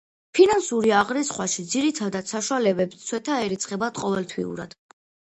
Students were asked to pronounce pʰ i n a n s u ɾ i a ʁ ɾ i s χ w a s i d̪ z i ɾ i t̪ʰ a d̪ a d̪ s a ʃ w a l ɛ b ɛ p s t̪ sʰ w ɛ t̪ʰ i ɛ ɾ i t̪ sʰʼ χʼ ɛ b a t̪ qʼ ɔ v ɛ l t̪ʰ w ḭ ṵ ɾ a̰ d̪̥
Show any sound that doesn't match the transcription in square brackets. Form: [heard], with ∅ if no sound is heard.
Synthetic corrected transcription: pʰ i n a n s u ɾ i a ʁ ɾ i s χ w a [ʃ] i d̪ z i ɾ i t̪ʰ a d̪ a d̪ s a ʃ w a l ɛ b ɛ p s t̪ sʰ w ɛ t̪ʰ [a] ɛ ɾ i t̪ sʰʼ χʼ ɛ b a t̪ qʼ ɔ v ɛ l t̪ʰ w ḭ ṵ ɾ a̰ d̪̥